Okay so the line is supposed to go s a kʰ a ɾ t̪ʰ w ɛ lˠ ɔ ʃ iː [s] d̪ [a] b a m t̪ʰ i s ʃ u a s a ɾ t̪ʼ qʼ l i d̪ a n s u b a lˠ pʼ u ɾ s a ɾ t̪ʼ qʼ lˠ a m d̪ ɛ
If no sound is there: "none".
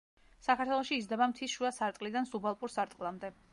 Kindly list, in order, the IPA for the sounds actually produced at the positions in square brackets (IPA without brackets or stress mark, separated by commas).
z, ɛ